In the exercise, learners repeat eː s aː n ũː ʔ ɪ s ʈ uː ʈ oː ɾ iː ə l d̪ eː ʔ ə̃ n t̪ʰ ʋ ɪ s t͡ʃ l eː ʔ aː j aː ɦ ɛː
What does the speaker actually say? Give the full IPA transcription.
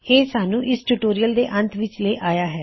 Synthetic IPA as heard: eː s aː n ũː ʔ ɪ s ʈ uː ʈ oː ɾ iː ə l d̪ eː ʔ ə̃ n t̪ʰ ʋ ɪ t͡ʃ l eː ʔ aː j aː ɦ ɛː